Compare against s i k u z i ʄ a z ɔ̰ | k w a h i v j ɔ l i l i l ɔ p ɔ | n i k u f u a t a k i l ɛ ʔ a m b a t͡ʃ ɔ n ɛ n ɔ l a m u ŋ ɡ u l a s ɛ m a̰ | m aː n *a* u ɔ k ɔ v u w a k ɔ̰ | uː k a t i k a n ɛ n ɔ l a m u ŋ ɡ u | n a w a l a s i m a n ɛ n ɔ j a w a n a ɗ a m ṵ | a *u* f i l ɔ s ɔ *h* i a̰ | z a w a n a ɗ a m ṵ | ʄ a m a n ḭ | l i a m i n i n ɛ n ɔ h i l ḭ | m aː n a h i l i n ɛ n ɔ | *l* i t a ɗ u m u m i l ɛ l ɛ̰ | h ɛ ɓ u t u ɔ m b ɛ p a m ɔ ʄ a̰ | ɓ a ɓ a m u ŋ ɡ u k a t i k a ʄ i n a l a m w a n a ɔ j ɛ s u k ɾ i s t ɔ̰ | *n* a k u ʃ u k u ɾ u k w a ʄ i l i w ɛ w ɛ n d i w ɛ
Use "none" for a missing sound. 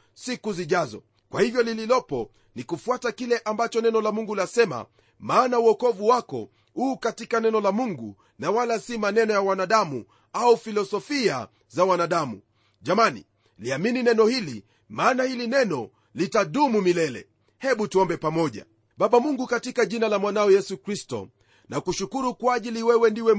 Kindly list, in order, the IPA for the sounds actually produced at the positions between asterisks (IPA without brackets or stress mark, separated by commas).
a, u, f, l, n